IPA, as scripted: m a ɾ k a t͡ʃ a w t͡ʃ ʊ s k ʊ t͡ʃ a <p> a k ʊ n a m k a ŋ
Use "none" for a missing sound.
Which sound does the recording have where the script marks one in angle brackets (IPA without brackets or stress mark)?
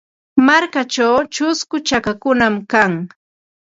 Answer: k